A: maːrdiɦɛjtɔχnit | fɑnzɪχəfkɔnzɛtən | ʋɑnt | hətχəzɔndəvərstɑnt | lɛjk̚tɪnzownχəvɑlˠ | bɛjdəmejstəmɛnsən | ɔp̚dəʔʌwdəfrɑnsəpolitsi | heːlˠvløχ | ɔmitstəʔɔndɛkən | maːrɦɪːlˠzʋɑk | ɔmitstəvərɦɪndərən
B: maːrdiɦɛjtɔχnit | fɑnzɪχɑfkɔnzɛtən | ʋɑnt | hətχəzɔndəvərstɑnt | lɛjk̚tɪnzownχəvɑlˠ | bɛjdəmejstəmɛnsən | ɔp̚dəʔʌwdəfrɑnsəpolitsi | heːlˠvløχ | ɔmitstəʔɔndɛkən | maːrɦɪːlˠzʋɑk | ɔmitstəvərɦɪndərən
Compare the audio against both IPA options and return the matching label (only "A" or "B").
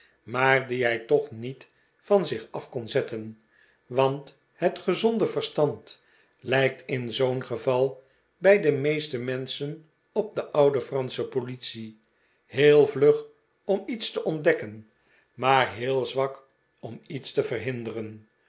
B